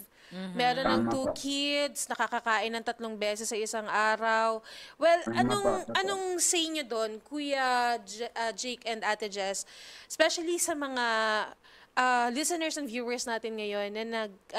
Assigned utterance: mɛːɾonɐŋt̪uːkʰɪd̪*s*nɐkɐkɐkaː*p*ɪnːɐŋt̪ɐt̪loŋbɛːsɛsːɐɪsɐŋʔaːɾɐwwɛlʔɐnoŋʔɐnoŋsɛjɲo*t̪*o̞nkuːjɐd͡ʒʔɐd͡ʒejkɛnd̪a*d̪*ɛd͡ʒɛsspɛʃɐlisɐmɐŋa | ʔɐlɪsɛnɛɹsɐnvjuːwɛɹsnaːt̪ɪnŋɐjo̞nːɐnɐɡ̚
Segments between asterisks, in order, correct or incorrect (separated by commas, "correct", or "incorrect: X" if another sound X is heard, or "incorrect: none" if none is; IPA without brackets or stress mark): correct, incorrect: ʔ, incorrect: d̪, incorrect: t̪